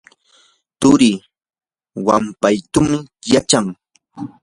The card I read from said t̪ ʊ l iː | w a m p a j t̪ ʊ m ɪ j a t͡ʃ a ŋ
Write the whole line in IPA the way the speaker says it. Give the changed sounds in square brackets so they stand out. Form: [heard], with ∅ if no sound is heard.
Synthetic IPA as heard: t̪ ʊ [ɾ] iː | w a m p a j t̪ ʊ m ɪ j a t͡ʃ a ŋ